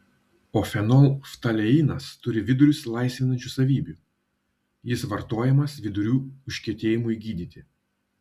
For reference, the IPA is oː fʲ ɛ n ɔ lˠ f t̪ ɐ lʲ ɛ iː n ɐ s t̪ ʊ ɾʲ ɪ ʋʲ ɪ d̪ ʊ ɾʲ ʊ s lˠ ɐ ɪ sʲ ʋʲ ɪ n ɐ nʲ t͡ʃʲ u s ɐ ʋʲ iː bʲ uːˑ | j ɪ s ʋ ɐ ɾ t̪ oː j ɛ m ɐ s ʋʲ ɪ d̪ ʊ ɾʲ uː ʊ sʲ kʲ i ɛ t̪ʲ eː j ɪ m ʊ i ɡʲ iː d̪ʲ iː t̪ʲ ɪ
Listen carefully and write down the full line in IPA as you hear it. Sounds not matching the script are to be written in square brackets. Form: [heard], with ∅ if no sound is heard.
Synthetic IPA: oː fʲ ɛ n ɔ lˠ f t̪ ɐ lʲ ɛ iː n ɐ s t̪ ʊ ɾʲ ɪ ʋʲ ɪ d̪ ʊ ɾʲ ʊ s lˠ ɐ ɪ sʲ ʋʲ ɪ n ɐ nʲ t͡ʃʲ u s ɐ ʋʲ iː bʲ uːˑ | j ɪ s ʋ ɐ ɾ t̪ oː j ɛ m ɐ s ʋʲ ɪ d̪ ʊ ɾʲ uː ʊ [ʃʲ] kʲ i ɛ t̪ʲ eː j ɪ m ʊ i ɡʲ iː d̪ʲ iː t̪ʲ ɪ

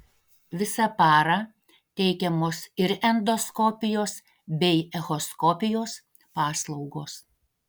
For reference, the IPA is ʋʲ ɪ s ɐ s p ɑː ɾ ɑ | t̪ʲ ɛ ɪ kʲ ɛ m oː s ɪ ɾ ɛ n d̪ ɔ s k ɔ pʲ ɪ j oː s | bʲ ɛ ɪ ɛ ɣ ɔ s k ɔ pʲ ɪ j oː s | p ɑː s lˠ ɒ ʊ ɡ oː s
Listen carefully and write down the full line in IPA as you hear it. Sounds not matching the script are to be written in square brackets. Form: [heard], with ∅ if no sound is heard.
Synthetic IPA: ʋʲ ɪ s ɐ [∅] p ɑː ɾ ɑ | t̪ʲ ɛ ɪ kʲ ɛ m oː s ɪ ɾ ɛ n d̪ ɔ s k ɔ pʲ ɪ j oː s | bʲ ɛ ɪ ɛ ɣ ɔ s k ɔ pʲ ɪ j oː s | p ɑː s lˠ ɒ ʊ ɡ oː s

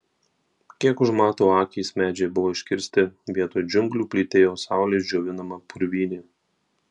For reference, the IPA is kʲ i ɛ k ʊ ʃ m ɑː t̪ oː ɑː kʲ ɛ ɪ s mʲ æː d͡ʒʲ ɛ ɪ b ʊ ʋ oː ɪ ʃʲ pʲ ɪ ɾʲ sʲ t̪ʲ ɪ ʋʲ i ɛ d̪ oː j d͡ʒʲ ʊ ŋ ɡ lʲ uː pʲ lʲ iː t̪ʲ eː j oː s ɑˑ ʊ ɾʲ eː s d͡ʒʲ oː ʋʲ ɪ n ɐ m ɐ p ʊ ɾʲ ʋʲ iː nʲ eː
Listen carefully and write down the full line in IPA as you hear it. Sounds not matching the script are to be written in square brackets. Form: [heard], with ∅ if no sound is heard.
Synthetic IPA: kʲ i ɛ k ʊ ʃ m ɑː t̪ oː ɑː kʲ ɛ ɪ s mʲ æː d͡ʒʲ ɛ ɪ b ʊ ʋ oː ɪ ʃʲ [kʲ] ɪ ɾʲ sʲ t̪ʲ ɪ ʋʲ i ɛ [t̪] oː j d͡ʒʲ ʊ ŋ ɡ lʲ uː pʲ lʲ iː t̪ʲ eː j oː s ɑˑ ʊ [lʲ] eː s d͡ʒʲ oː ʋʲ ɪ n ɐ m ɐ p ʊ ɾʲ ʋʲ iː nʲ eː

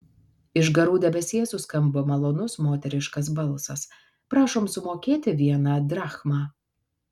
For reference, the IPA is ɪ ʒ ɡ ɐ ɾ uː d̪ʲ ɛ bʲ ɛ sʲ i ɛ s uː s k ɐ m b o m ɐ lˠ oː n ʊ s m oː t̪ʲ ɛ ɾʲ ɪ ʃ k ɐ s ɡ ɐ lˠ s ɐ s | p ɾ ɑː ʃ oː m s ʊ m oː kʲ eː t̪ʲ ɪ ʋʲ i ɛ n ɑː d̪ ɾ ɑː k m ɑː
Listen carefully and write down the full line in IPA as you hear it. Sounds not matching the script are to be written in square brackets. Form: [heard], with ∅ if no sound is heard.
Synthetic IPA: ɪ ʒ ɡ ɐ ɾ uː d̪ʲ ɛ bʲ ɛ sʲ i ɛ s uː s k ɐ m b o m ɐ lˠ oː n ʊ s m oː t̪ʲ ɛ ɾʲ ɪ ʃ k ɐ s [b] ɐ lˠ s ɐ s | p ɾ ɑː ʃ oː m s ʊ m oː kʲ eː t̪ʲ ɪ ʋʲ i ɛ n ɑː d̪ ɾ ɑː [x] m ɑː

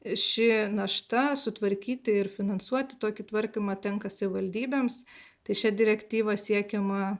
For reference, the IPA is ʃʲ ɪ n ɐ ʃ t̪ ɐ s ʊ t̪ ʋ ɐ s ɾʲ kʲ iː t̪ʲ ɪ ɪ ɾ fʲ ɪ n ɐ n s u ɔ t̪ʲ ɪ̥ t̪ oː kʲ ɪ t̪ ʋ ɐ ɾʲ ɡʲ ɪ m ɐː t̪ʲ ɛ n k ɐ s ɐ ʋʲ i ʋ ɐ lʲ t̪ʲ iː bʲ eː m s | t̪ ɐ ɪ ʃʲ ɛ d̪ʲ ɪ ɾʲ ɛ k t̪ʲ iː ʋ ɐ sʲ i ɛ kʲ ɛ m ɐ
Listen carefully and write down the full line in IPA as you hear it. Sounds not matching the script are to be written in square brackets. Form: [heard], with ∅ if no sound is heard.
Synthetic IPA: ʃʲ ɪ n ɐ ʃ t̪ ɐ s ʊ t̪ ʋ ɐ [∅] ɾʲ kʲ iː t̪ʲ ɪ ɪ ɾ fʲ ɪ n ɐ n s u ɔ t̪ʲ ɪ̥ t̪ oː kʲ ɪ t̪ ʋ ɐ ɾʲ [kʲ] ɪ m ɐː t̪ʲ ɛ [ŋ] k ɐ s ɐ ʋʲ [ɪ] ʋ ɐ lʲ [d̪ʲ] iː bʲ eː m s | t̪ ɐ ɪ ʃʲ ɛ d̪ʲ ɪ ɾʲ ɛ k t̪ʲ iː ʋ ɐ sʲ i ɛ kʲ ɛ m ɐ

